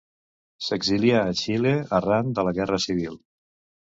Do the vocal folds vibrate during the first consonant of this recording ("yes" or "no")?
no